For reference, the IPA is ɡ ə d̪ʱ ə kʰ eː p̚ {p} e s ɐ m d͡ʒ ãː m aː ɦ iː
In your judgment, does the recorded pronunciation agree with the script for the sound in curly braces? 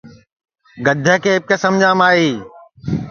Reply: no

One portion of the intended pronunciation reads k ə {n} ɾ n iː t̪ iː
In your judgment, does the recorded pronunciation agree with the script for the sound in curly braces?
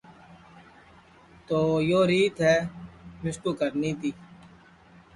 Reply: no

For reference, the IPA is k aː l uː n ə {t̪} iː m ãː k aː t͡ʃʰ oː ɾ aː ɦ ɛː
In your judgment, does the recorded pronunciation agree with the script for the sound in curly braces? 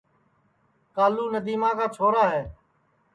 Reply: no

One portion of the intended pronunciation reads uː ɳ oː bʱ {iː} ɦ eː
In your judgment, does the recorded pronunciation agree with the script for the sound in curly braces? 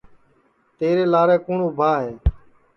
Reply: no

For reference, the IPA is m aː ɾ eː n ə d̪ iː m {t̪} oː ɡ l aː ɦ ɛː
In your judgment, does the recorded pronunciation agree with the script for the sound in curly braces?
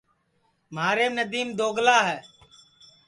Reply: no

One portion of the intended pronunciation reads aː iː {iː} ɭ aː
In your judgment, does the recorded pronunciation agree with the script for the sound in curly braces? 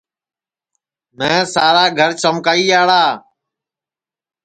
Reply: no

